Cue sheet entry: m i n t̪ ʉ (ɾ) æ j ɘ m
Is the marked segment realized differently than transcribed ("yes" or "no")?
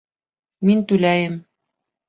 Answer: yes